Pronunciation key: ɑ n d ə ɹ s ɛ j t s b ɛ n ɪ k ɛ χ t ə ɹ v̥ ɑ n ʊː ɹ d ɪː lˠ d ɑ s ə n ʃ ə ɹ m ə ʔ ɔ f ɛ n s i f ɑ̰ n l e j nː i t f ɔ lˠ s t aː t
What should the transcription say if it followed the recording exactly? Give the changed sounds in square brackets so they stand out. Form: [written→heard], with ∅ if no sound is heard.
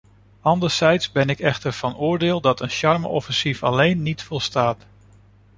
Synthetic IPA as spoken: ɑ n d ə ɹ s ɛ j t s b ɛ n ɪ k ɛ χ t ə ɹ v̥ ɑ n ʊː ɹ d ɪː lˠ d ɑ [s→t] ə n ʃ [ə→ɑ] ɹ m ə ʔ ɔ f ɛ n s i f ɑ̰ [n→∅] l e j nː i t f ɔ lˠ s t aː t